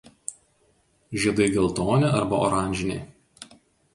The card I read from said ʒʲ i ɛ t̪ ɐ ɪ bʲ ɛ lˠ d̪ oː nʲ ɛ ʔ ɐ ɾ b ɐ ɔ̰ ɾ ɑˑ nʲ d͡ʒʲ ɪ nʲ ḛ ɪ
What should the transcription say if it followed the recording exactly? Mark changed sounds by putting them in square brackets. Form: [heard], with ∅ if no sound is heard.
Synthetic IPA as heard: ʒʲ i ɛ [d̪] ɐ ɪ [ɡʲ] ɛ lˠ [t̪] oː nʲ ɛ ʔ ɐ ɾ b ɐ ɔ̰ ɾ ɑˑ nʲ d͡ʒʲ ɪ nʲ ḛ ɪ